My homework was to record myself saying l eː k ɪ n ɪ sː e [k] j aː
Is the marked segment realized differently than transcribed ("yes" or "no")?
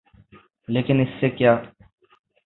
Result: no